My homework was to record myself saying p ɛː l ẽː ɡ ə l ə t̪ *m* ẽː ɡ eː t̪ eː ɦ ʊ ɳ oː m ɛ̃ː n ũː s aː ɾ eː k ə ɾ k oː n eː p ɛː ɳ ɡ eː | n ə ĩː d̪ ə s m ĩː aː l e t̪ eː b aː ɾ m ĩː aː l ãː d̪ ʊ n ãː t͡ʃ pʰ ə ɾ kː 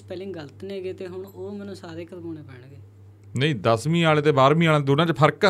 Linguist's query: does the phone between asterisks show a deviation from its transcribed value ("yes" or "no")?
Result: yes